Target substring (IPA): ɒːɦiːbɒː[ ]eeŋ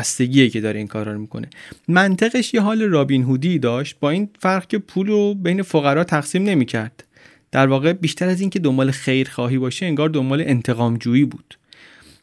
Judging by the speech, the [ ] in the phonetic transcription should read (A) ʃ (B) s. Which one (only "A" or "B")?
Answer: A